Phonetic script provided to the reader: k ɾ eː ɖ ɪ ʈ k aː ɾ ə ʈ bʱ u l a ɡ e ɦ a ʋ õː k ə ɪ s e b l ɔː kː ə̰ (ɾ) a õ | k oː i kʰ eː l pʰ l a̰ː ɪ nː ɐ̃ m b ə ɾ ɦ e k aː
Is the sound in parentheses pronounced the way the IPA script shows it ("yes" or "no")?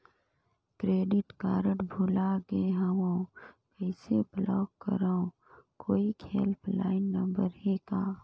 yes